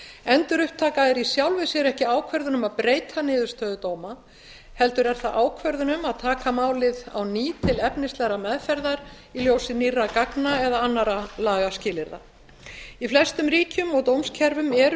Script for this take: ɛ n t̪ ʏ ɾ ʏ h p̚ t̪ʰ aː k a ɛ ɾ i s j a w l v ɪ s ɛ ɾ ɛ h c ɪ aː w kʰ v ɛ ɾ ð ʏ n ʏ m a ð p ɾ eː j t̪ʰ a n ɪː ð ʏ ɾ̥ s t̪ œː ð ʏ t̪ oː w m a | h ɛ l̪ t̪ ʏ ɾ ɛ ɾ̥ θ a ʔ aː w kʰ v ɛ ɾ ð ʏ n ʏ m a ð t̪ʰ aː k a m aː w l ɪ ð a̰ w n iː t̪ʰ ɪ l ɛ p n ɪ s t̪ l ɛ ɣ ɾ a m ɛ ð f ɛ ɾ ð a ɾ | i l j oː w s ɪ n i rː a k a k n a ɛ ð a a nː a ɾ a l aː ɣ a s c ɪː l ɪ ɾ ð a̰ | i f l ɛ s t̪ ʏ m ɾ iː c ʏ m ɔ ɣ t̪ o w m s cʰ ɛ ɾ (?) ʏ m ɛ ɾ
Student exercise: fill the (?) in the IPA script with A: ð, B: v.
B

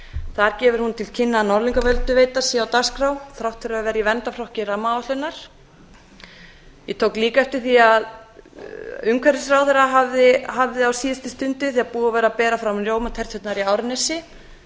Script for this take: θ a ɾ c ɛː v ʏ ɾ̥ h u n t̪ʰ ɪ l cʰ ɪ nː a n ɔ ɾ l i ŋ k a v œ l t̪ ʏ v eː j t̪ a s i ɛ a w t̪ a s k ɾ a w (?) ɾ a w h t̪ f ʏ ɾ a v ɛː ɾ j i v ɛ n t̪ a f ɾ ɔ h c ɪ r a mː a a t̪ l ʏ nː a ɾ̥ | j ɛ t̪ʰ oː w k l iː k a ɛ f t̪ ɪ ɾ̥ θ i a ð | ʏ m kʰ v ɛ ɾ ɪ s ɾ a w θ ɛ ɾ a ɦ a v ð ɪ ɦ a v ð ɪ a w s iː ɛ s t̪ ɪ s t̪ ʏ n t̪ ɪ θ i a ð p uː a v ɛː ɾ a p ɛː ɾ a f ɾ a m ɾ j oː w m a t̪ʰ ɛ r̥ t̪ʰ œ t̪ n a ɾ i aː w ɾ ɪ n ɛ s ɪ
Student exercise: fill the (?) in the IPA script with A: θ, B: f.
A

